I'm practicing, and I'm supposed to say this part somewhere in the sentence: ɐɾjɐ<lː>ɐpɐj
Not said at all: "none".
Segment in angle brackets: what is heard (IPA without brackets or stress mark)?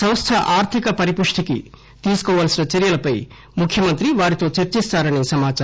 l